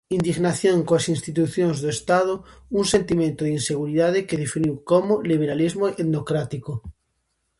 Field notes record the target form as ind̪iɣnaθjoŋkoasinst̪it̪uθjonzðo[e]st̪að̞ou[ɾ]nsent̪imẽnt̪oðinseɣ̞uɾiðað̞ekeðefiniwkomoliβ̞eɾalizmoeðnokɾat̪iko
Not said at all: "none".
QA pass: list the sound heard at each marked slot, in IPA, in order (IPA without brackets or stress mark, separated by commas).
e, none